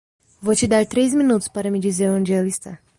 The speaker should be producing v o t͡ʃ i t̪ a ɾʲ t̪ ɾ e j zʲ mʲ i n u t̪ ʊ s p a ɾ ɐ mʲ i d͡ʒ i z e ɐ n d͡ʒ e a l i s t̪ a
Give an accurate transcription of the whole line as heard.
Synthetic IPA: v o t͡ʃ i d̪ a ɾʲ t̪ ɾ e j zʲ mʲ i n u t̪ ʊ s p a ɾ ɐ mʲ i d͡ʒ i z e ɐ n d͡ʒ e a l i s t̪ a